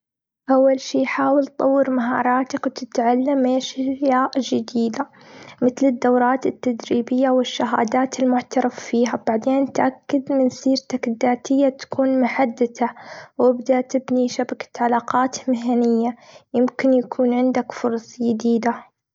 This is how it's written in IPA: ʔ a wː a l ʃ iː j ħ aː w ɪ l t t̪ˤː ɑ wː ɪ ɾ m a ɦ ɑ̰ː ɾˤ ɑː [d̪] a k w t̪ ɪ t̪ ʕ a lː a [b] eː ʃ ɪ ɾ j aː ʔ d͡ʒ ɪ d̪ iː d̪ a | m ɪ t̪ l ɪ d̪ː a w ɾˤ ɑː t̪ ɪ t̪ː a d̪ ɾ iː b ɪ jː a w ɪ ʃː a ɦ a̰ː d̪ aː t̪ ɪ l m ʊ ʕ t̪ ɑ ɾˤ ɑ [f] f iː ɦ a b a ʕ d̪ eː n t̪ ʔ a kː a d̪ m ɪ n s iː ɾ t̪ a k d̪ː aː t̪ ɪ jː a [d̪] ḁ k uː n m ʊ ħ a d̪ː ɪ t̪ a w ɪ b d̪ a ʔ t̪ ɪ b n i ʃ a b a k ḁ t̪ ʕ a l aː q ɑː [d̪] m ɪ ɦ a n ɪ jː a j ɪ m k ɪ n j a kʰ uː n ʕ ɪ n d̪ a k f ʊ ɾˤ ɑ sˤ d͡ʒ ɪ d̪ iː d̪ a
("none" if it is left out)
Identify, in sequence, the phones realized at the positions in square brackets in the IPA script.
t̪, m, f, t̪, t̪

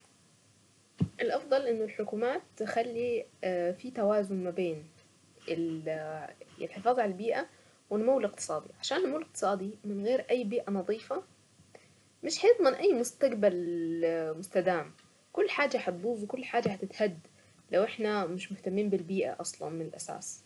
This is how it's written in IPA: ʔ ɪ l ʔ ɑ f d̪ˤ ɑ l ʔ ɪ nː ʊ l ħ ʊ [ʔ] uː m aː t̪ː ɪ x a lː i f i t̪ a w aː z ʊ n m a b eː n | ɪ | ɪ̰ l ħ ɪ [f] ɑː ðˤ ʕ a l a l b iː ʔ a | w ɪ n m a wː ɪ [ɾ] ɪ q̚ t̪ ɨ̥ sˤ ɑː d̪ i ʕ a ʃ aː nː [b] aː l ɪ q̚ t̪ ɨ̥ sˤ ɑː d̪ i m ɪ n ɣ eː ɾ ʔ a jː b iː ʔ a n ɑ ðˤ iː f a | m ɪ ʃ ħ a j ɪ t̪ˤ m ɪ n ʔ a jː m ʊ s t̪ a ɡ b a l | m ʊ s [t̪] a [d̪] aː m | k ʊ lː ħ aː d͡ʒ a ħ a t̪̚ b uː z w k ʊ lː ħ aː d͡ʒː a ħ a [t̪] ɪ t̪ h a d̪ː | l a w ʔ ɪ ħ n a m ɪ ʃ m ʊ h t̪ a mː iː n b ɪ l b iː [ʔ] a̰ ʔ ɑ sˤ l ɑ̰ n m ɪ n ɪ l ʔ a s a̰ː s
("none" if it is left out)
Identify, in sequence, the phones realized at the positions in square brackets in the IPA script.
k, f, l, m, t̪, d̪, t̪, ʔ

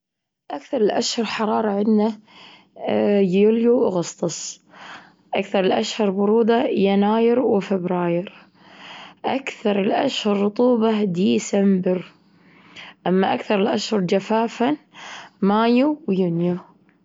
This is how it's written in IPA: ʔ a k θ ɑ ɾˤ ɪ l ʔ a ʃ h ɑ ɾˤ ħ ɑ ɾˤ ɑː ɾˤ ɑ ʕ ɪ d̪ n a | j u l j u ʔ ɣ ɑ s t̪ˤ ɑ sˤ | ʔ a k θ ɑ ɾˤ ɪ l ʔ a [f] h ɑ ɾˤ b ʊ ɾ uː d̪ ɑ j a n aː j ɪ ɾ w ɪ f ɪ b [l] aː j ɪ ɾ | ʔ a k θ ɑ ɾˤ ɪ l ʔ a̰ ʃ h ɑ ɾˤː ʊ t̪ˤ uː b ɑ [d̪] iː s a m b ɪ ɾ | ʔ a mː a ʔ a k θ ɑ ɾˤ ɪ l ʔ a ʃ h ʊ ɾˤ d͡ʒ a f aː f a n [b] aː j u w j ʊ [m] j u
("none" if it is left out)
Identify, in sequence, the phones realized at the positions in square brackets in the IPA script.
ʃ, ɾ, d̪, m, n

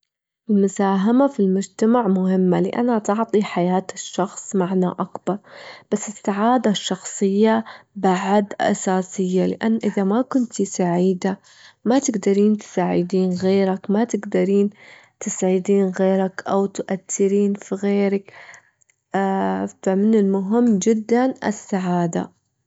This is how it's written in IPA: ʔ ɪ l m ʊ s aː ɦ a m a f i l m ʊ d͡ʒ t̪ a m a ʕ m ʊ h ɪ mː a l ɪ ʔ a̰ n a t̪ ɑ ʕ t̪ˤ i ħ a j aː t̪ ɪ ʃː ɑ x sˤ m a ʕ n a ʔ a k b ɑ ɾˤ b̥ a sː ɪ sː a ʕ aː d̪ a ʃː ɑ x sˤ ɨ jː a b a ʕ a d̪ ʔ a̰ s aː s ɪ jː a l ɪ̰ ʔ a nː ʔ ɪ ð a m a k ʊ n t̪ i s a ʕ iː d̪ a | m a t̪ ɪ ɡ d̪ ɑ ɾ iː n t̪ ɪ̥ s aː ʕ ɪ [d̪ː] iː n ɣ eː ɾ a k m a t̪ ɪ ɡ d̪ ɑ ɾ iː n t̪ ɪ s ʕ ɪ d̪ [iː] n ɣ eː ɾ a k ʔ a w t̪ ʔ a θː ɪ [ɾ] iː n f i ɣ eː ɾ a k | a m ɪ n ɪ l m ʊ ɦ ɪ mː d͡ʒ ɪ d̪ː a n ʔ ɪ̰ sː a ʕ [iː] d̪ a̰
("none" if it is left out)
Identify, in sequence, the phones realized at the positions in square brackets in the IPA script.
d̪, iː, ɾ, aː

